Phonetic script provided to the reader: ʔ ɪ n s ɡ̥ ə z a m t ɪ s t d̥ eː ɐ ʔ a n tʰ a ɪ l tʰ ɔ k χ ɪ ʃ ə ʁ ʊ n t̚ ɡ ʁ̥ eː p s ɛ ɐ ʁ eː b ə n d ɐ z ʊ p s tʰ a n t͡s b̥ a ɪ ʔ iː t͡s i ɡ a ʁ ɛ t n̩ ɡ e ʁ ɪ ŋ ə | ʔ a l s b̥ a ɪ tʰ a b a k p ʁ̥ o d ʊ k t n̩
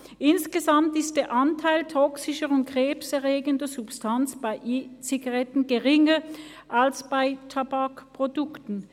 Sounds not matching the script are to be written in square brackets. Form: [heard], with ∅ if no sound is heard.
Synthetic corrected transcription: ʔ ɪ n s ɡ̥ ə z a m t ɪ s t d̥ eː ɐ ʔ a n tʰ a ɪ l tʰ ɔ k [s] ɪ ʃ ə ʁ ʊ n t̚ ɡ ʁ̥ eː p s ɛ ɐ ʁ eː [ɡ] ə n d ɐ z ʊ p s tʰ a n t͡s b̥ a ɪ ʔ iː t͡s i ɡ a ʁ ɛ t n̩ ɡ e ʁ ɪ ŋ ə | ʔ a l s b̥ a ɪ tʰ a b a k p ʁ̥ o d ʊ k t n̩